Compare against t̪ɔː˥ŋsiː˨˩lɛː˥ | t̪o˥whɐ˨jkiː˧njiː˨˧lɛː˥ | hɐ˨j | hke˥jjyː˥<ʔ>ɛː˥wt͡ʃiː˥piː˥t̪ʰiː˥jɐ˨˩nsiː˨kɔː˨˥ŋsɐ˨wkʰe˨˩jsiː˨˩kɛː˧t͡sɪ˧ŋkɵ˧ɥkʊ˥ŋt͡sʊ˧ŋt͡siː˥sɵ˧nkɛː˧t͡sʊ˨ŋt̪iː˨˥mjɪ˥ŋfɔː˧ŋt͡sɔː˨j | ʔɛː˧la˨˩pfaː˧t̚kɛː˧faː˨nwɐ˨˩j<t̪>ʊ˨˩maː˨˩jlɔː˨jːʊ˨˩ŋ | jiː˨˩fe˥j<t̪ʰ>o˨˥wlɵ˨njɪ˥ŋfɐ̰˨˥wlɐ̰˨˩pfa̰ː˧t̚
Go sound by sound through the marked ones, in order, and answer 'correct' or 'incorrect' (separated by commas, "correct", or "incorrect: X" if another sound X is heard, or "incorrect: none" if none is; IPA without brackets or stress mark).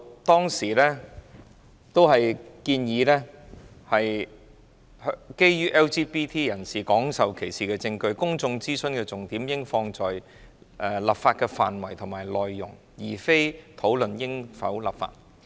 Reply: correct, incorrect: t̪ʰ, correct